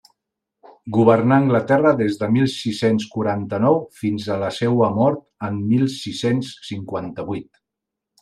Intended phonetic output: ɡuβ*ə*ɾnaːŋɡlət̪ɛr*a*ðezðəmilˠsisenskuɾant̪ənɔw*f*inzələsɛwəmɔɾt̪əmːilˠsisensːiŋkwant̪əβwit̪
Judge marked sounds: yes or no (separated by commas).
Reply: yes, no, yes